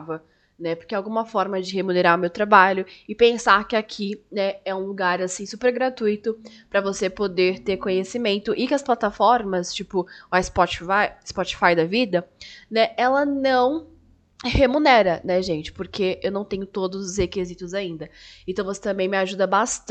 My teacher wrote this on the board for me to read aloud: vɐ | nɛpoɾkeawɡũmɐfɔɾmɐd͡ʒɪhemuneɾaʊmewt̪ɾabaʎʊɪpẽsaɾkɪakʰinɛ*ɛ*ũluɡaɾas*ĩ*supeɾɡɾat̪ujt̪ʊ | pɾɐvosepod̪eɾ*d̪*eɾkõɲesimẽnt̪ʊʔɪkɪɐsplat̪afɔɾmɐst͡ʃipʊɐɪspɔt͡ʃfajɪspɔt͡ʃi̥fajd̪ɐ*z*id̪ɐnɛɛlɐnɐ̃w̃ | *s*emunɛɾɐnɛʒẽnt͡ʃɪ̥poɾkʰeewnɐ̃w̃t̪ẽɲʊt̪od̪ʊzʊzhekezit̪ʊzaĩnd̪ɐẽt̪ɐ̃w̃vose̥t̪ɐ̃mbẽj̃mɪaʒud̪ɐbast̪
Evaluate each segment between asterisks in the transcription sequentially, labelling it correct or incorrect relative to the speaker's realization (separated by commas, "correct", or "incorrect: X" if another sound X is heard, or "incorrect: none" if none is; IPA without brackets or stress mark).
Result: correct, correct, incorrect: t̪, incorrect: v, incorrect: h